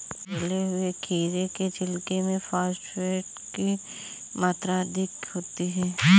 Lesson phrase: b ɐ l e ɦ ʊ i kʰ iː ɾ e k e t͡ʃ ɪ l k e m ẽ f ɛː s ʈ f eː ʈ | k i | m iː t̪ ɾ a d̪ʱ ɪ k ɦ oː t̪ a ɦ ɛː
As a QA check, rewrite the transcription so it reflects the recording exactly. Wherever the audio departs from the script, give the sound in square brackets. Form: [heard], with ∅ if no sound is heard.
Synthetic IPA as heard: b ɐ l e ɦ ʊ [e] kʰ iː ɾ e k e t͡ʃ ɪ l k e m ẽ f [aː] s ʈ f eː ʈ | k i | m [aː] t̪ ɾ a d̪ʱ ɪ k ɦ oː t̪ [i] ɦ ɛː